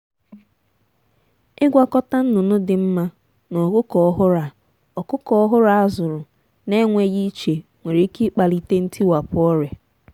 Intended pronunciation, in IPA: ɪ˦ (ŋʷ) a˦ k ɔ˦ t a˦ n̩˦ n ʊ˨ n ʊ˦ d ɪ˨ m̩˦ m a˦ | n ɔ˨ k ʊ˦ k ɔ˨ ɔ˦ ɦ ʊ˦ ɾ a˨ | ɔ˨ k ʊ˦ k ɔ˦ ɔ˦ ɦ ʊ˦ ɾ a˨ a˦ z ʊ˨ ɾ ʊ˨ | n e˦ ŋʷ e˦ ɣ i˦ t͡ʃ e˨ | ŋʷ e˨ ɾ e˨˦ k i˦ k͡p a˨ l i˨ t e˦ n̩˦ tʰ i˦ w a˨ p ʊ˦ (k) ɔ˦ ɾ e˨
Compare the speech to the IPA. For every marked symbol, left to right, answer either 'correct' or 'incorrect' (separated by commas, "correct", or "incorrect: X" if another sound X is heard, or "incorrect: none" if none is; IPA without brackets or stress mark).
incorrect: ɡʷ, incorrect: none